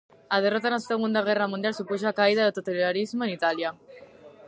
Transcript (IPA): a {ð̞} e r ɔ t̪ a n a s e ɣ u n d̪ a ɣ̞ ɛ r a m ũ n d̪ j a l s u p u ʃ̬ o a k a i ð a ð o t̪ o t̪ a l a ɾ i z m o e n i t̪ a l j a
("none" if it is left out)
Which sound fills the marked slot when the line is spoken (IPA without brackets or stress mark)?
ð̞